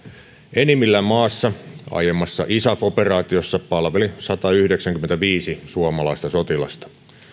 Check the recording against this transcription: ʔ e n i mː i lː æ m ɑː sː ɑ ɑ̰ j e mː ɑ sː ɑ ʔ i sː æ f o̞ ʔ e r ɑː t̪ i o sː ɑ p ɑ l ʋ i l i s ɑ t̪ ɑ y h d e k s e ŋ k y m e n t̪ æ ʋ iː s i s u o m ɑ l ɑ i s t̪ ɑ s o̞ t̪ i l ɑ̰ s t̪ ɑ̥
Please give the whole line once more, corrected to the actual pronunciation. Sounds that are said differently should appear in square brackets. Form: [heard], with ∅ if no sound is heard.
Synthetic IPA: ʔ e n i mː i lː æ m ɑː sː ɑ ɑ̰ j e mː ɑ sː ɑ ʔ i [s] æ f o̞ [p] e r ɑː t̪ i o sː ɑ p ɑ l ʋ [e] l i s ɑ t̪ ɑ y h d e k s [æ] ŋ k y m e n t̪ æ ʋ iː s i s u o m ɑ l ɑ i s t̪ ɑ s o̞ t̪ i l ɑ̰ s t̪ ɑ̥